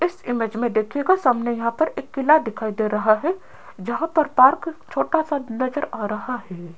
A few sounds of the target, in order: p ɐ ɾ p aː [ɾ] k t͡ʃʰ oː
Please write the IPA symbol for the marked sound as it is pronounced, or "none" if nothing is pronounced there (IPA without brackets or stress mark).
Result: ɾ